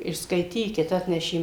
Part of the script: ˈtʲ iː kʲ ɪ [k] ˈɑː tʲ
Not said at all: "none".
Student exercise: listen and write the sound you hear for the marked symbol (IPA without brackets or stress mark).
t